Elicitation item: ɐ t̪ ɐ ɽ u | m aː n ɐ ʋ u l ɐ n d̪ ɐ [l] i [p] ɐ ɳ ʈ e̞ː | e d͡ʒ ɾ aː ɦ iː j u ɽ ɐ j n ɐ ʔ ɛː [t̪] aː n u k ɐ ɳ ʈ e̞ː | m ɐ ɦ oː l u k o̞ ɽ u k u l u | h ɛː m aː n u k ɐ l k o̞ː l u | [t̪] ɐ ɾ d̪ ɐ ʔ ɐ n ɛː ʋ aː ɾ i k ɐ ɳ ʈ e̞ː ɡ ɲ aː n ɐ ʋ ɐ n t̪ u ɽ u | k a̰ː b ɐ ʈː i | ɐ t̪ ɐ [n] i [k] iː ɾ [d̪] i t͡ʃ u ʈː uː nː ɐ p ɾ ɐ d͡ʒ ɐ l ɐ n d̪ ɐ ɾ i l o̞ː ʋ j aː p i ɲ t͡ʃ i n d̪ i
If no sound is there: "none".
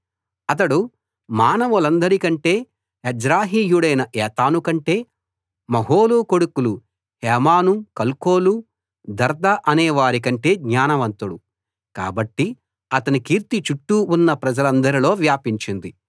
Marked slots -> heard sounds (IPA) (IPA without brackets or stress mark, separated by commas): ɾ, k, t̪, d̪, n, k, t̪